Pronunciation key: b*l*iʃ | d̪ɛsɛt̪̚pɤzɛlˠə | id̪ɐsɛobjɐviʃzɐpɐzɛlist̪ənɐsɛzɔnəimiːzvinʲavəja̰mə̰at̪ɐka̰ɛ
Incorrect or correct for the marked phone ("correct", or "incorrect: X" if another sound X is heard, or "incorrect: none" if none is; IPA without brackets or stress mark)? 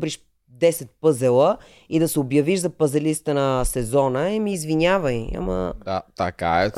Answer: incorrect: ɾ